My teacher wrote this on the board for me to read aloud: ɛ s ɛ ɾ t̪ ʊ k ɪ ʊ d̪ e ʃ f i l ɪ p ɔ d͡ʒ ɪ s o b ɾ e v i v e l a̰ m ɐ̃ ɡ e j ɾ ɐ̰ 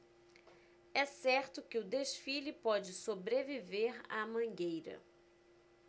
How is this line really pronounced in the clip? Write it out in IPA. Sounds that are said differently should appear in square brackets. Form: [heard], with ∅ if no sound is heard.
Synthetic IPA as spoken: ɛ s ɛ ɾ t̪ ʊ k ɪ ʊ d̪ e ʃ f i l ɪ p ɔ d͡ʒ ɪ s o b ɾ e v i v e [ɾ] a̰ m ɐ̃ ɡ e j ɾ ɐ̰